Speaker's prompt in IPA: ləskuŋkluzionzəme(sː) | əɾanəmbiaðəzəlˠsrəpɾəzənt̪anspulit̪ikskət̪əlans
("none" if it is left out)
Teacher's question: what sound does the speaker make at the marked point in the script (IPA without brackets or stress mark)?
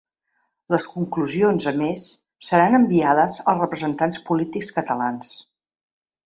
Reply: sː